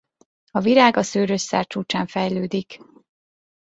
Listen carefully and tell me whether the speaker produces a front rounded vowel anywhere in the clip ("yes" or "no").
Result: yes